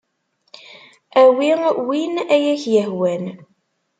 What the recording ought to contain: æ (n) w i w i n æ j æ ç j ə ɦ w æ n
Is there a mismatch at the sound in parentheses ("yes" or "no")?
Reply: yes